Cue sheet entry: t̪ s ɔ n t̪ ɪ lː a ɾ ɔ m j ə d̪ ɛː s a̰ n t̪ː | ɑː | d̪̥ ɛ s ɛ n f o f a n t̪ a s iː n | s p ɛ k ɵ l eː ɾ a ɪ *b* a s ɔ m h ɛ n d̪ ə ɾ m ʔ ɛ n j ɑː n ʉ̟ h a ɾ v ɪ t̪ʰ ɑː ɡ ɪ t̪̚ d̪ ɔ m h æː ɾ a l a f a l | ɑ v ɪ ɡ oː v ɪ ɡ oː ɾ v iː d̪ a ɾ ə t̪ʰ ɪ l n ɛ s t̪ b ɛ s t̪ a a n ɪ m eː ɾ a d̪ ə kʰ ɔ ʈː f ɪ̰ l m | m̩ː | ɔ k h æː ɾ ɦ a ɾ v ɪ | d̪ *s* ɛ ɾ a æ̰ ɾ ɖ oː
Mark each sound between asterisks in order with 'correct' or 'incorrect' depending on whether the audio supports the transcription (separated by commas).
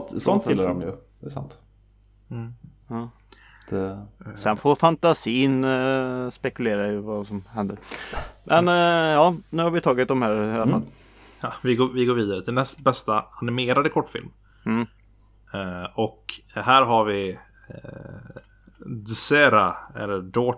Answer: incorrect, correct